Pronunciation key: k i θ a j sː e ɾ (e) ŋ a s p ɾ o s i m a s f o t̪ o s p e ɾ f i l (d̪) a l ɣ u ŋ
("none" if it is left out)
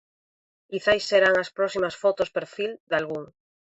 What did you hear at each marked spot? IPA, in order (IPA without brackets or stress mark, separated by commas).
a, d̪